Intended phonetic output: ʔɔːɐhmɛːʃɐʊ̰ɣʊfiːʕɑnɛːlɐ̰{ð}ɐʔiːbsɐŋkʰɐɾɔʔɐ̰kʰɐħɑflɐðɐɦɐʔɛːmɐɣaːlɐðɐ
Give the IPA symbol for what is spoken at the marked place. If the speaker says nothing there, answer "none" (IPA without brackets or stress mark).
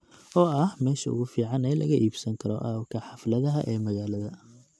ɣ